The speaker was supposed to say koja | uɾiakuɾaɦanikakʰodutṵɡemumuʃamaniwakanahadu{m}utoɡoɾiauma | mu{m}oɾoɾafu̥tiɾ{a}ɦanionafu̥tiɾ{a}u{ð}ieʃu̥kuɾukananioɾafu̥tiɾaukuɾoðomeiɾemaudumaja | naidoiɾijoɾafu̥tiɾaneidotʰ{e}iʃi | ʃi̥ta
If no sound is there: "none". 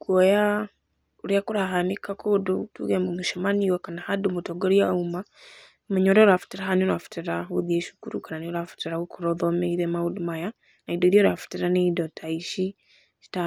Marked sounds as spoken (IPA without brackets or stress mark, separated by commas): m, ɲ, a, a, ð, a